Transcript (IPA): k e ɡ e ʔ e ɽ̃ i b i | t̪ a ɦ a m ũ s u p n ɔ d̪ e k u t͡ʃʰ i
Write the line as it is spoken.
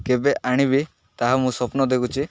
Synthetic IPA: k e b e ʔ a ɽ̃ i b i | t̪ a ɦ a m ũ s ɔ p n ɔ d̪ e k u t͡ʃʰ i